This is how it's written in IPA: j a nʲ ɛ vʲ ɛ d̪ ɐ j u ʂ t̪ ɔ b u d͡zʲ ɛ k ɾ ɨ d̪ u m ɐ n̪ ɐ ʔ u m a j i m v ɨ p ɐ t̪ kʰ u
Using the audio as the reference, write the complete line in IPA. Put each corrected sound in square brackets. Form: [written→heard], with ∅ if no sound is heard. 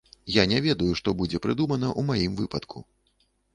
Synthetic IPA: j a nʲ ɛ vʲ ɛ d̪ ɐ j u ʂ t̪ ɔ b u d͡zʲ ɛ [k→p] ɾ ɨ d̪ u m ɐ n̪ ɐ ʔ u m a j i m v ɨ p ɐ t̪ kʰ u